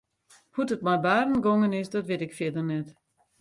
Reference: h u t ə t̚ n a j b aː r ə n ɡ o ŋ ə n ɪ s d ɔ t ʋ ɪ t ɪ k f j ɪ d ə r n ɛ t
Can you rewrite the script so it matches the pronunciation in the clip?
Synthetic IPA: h u t ə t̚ m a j b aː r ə n ɡ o ŋ ə n ɪ s d ɔ t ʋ ɪ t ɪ k f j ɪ d ə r n ɛ t